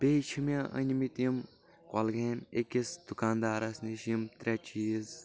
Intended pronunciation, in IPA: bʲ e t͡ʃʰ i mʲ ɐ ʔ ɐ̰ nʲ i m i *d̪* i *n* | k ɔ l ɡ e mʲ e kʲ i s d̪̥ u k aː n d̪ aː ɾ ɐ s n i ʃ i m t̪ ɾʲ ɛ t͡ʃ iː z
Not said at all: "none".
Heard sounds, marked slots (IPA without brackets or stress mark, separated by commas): t̪, m